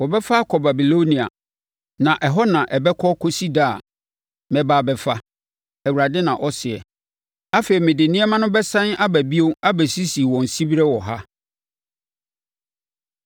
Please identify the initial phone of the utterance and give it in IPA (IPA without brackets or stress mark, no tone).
w